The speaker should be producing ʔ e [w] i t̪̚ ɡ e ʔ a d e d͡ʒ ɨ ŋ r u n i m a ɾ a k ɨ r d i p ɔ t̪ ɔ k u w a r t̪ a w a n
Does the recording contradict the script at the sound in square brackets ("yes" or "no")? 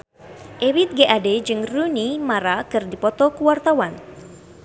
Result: no